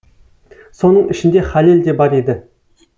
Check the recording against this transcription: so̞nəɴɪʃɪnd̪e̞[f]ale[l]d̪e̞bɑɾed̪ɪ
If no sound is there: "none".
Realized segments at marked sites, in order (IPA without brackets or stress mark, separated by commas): χ, l